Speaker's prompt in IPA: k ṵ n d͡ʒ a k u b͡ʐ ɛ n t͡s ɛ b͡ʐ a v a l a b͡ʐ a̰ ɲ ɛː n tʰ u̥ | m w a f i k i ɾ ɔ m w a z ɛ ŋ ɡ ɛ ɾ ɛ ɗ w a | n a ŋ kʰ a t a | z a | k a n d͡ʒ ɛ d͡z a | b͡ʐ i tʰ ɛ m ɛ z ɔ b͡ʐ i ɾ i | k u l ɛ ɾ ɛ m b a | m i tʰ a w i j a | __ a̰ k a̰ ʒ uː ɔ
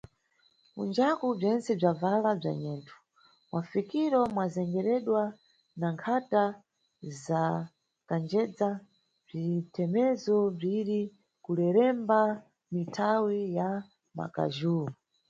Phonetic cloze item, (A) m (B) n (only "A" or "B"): A